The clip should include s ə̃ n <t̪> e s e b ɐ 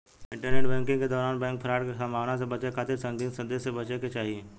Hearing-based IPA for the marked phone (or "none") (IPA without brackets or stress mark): d̪